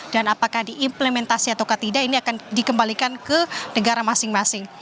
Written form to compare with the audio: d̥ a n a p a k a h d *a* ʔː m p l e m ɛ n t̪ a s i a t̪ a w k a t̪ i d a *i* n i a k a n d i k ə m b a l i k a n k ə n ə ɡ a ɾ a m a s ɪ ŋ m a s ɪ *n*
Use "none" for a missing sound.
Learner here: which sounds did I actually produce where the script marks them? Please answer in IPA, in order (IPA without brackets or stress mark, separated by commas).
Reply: i, i, ŋ